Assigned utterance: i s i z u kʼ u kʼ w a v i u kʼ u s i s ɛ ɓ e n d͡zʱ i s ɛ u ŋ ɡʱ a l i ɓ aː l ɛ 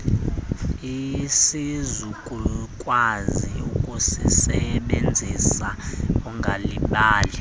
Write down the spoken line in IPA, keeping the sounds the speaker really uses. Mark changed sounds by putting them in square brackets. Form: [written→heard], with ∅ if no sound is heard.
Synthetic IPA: i s i z u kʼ u kʼ w a [v→z] i u kʼ u s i s ɛ ɓ e n d͡zʱ i s [ɛ→a] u ŋ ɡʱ a l i ɓ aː l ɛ